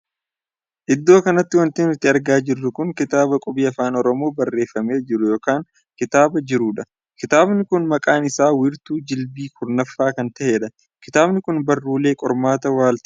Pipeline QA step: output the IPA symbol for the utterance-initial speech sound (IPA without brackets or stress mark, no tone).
ʔ